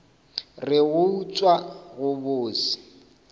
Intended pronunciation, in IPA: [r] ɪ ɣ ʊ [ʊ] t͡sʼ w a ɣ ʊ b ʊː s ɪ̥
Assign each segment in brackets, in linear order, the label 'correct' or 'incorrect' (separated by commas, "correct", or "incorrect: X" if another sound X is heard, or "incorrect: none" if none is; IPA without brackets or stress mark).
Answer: correct, incorrect: u